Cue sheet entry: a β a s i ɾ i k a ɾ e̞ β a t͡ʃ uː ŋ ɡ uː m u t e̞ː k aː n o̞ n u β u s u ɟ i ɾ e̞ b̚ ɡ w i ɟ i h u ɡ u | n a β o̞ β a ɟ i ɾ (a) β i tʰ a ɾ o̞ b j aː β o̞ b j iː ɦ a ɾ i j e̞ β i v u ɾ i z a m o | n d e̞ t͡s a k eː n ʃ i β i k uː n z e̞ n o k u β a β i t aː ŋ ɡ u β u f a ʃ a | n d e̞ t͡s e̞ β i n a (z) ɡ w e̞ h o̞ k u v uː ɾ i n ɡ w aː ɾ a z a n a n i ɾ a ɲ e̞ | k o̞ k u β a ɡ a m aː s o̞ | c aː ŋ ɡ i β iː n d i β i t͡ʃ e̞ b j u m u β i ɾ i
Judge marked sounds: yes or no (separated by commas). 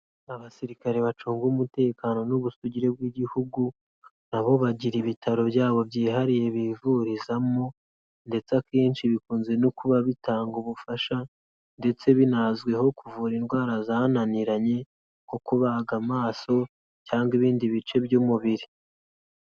no, yes